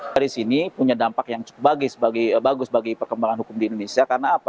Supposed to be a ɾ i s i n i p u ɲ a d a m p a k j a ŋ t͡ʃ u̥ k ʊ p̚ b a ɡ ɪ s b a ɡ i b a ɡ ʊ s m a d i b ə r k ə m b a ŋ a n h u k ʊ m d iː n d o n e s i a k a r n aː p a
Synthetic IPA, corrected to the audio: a ɾ i s i n i p u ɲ a d a m p a k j a ŋ t͡ʃ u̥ k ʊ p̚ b a ɡ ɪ s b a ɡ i b a ɡ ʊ s b a ɡ i p ə r k ə m b a ŋ a n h u k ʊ m d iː n d o n e s i a k a r n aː p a